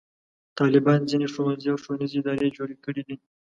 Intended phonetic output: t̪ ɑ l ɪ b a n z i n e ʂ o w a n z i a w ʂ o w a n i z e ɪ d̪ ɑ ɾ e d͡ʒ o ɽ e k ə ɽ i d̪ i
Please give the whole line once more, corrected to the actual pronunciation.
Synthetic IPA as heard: t̪ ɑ l ɪ b ɑ n z i n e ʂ o w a n z i a w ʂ o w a n i z e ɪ d̪ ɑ ɾ e d͡ʒ o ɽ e k ə ɽ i d̪ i